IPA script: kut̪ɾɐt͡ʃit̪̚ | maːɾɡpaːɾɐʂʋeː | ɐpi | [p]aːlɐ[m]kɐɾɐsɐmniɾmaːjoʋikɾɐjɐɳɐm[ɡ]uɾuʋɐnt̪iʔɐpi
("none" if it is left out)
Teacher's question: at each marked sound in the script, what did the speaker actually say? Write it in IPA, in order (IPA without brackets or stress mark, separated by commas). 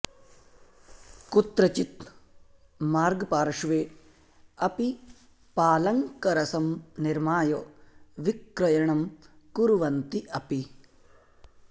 p, ŋ, k